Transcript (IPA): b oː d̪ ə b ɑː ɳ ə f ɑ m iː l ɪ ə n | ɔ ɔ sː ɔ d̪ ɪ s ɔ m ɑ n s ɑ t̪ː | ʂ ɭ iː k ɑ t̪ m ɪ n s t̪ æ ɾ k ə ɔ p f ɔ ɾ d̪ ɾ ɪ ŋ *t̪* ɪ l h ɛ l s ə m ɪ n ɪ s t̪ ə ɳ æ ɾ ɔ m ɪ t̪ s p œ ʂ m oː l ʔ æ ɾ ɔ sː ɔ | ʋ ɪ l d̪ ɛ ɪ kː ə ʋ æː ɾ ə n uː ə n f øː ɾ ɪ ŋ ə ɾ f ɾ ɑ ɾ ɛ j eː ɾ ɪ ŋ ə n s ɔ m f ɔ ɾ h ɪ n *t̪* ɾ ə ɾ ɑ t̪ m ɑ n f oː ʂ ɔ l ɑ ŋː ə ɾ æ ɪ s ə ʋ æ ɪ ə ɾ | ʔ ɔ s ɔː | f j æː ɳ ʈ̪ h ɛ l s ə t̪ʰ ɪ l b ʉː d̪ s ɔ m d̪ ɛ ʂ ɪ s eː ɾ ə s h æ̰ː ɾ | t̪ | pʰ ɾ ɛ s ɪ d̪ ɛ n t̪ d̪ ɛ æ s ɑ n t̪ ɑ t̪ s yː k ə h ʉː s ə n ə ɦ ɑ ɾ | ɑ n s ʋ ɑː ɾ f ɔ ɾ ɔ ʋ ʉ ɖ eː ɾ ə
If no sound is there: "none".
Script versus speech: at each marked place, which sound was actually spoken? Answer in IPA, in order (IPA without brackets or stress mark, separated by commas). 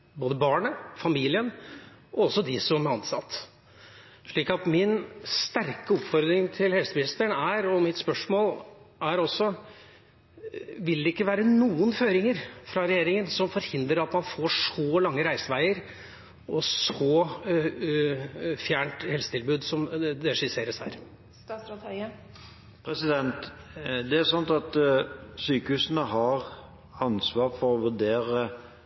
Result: t̪ʰ, d̪